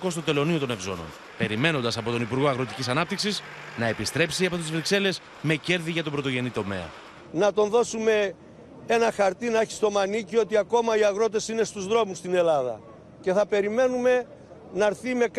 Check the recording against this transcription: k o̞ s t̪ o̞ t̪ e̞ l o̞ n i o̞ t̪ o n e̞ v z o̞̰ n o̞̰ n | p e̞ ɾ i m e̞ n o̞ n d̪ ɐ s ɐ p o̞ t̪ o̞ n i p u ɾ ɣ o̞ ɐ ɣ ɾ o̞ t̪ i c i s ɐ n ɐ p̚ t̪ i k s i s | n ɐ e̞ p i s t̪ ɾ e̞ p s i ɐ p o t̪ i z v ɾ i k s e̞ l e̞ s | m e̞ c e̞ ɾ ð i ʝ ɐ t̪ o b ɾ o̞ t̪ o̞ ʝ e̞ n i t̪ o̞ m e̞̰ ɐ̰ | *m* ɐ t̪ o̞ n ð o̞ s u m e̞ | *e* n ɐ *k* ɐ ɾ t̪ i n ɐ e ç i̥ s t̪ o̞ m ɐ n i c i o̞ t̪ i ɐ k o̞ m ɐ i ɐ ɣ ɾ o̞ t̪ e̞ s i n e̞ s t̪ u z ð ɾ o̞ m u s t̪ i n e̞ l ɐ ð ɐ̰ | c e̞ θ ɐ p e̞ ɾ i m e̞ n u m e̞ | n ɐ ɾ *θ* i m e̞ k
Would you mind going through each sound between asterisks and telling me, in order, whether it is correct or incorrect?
incorrect: n, correct, incorrect: x, correct

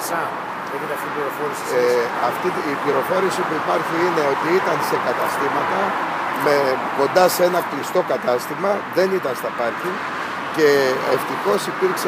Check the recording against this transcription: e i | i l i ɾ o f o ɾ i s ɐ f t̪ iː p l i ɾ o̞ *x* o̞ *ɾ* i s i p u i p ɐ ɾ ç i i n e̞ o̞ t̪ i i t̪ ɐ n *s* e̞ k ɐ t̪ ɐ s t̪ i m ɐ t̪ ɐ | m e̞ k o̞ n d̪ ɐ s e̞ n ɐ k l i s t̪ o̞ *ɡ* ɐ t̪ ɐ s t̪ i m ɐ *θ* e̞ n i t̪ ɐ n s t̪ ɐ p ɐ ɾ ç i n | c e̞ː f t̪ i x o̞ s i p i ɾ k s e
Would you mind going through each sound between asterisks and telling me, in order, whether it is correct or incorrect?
incorrect: f, correct, correct, incorrect: k, incorrect: ð

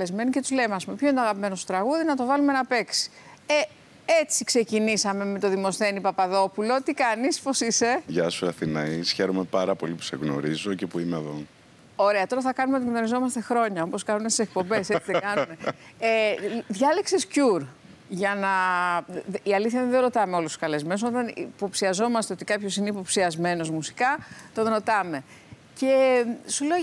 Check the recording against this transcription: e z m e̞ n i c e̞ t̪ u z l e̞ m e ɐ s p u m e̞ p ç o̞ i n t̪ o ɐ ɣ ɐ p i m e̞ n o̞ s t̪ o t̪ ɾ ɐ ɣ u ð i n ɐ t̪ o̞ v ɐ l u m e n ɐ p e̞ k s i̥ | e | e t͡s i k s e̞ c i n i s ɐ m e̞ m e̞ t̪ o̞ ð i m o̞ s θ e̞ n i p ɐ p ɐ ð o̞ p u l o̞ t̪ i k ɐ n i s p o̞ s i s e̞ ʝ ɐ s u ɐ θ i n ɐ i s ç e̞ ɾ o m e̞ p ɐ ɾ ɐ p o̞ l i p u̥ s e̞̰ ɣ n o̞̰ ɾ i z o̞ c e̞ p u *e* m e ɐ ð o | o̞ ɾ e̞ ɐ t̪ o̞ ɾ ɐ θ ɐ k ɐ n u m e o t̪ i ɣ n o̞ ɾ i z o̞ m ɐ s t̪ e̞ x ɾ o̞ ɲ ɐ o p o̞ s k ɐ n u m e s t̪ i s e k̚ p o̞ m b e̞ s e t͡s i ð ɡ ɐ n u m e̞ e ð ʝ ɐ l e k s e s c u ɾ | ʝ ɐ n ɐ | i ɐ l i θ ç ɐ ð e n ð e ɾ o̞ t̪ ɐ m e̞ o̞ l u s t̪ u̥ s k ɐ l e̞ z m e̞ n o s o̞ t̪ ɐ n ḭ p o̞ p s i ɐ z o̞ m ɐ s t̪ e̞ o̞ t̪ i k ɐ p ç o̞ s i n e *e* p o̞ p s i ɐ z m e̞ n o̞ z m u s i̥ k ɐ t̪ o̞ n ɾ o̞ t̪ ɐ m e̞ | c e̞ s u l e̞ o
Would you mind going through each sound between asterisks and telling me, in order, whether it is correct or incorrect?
incorrect: i, incorrect: i

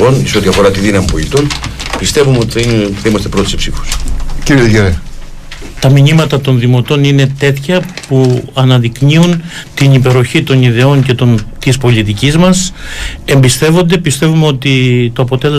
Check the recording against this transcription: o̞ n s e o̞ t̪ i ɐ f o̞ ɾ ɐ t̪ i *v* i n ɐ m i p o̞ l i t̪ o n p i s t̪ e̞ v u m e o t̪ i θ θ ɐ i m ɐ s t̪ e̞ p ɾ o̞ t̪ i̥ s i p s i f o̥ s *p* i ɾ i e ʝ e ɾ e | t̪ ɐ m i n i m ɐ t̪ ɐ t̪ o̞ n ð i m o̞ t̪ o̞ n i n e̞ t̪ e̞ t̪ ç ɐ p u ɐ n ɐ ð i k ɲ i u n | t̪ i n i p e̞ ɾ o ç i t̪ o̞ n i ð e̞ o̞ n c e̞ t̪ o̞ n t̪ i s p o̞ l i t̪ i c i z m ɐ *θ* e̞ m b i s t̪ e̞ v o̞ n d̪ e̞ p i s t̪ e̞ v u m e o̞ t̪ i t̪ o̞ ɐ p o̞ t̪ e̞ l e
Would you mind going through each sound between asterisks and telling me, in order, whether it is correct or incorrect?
incorrect: ð, incorrect: c, incorrect: s

